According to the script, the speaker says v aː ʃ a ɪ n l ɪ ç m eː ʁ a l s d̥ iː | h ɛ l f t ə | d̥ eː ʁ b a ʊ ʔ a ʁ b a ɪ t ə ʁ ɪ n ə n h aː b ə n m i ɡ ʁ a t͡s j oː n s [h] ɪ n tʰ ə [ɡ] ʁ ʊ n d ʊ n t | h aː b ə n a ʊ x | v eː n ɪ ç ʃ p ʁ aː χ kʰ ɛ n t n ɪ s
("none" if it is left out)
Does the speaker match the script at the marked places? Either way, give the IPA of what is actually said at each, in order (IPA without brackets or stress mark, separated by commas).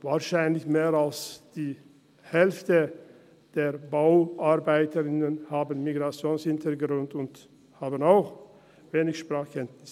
h, ɡ